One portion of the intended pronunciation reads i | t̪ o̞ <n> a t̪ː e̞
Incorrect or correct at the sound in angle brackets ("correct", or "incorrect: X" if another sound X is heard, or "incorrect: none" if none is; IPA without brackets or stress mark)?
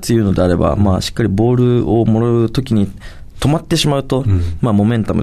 incorrect: m